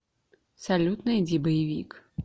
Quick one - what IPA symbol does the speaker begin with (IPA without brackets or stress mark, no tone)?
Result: s